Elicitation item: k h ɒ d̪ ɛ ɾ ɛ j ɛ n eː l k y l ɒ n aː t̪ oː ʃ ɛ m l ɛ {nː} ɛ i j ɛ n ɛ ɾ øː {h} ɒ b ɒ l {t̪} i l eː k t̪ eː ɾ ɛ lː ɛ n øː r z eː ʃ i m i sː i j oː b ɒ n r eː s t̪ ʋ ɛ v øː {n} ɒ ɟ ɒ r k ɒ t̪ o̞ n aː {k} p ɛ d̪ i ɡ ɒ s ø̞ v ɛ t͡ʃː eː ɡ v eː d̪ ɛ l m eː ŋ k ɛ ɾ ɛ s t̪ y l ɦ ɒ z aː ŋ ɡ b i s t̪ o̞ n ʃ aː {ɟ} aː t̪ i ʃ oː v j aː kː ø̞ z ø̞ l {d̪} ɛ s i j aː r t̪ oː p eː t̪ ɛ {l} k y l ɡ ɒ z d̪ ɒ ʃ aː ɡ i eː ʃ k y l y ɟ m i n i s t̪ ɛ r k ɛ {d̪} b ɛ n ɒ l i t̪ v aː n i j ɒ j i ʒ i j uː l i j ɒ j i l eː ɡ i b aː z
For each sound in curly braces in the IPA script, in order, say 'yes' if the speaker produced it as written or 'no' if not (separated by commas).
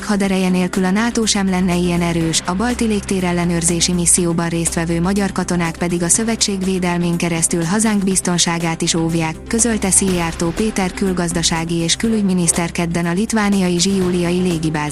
yes, no, yes, no, yes, no, no, no, yes